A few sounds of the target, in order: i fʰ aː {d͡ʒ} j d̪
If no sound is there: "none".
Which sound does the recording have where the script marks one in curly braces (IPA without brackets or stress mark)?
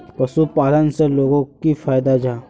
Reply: none